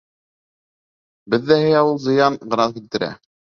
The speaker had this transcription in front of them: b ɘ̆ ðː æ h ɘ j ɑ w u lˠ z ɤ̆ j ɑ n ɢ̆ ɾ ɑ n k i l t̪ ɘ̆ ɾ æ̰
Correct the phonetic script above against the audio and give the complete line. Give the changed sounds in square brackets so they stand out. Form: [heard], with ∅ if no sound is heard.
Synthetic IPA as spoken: b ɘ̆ ðː æ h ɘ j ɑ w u lˠ z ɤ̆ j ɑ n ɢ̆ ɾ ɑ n k i l t̪ ɘ̆ ɾ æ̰